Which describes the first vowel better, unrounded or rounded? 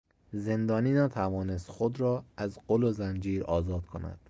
unrounded